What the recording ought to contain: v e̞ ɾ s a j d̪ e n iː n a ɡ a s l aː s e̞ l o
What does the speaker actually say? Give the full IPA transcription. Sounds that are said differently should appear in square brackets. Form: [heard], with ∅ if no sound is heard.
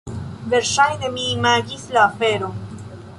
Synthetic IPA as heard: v e̞ ɾ [ʃ] a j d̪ e [m] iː [m] a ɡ [i] s l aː [f] e̞ [ɾ] o